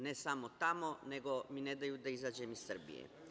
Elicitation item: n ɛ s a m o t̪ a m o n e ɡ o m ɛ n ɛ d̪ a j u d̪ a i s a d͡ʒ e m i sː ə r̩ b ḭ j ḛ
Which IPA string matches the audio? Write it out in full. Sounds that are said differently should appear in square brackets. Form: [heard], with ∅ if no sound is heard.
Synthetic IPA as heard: n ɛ s a m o t̪ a m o n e ɡ o m [i] n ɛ d̪ a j u d̪ a i [z] a d͡ʒ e m i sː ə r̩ b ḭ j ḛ